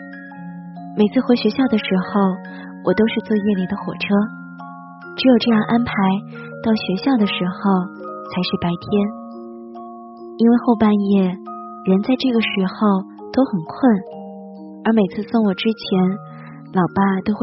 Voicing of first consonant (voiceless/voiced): voiced